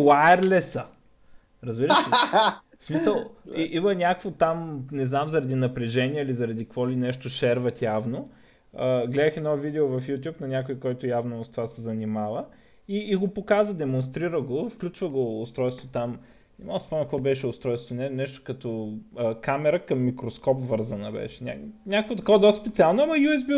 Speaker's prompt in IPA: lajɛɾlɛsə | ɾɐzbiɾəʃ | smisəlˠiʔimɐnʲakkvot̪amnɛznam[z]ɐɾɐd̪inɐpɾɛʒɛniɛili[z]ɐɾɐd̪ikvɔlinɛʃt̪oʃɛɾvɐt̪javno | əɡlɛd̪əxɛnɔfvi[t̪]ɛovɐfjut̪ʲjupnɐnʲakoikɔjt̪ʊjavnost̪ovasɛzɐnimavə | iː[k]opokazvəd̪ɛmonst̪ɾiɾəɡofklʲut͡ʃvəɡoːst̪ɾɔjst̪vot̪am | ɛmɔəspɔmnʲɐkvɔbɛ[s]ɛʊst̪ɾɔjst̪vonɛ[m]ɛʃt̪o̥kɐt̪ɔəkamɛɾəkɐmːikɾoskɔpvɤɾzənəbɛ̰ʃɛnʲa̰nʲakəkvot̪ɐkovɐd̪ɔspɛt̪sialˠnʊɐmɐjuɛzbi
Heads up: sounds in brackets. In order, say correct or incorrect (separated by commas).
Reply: correct, correct, incorrect, incorrect, incorrect, incorrect